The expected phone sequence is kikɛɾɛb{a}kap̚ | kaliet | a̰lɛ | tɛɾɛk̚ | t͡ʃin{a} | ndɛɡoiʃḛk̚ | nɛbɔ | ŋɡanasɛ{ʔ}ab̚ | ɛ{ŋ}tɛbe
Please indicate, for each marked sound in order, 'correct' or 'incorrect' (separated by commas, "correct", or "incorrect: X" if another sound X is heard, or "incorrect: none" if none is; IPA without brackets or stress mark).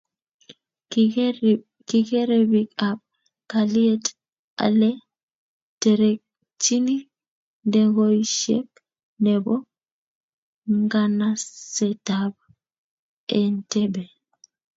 incorrect: i, incorrect: i, incorrect: t, incorrect: n